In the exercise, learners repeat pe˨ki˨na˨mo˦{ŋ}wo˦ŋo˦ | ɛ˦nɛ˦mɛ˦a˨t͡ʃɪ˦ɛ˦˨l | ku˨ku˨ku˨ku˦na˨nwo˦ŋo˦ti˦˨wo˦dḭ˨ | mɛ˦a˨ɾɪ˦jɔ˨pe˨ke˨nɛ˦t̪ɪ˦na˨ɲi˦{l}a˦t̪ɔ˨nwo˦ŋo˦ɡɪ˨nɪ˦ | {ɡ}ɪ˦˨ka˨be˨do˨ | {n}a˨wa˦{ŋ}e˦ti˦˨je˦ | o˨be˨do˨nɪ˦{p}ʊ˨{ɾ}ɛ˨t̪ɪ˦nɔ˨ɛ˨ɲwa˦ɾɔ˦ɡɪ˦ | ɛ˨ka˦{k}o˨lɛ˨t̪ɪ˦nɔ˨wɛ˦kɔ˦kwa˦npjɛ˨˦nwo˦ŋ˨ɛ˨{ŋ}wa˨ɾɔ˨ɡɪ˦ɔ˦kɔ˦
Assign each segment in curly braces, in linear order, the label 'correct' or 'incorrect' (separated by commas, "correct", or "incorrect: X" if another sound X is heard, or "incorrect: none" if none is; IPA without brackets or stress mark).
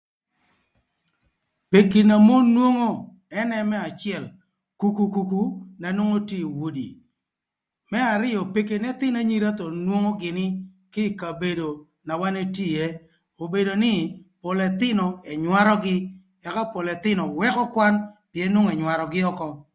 incorrect: n, incorrect: ɾ, incorrect: k, correct, incorrect: n, correct, incorrect: l, incorrect: p, incorrect: ɲ